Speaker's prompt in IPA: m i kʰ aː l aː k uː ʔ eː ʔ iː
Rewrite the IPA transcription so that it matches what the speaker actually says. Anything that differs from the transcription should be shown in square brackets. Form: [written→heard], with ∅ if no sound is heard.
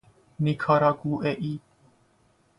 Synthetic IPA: [m→n] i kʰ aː [l→ɾ] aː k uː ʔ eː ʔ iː